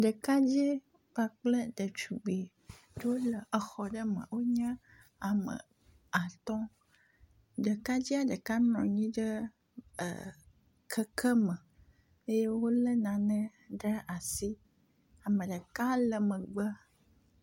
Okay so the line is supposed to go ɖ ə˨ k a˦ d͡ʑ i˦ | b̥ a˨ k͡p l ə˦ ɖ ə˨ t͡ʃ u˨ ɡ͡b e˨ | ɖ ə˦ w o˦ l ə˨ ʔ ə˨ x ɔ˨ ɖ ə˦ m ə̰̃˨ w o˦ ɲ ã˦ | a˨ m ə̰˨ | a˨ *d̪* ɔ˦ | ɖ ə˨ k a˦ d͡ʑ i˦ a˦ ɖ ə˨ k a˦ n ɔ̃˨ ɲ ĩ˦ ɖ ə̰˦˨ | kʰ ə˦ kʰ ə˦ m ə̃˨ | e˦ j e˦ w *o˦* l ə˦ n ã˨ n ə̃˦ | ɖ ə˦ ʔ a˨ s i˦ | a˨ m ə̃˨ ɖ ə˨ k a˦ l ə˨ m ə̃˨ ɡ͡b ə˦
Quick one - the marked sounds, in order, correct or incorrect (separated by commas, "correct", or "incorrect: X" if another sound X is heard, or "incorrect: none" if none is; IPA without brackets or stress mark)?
incorrect: t̪, correct